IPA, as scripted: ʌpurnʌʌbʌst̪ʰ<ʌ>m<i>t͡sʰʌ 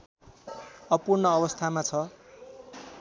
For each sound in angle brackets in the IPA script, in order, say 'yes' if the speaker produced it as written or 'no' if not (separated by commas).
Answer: no, no